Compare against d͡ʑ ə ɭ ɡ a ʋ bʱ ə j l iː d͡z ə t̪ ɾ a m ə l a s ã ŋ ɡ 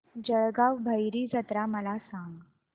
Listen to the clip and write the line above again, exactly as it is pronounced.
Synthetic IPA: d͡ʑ ə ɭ ɡ a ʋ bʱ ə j ɾ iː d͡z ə t̪ ɾ a m ə l a s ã ŋ ɡ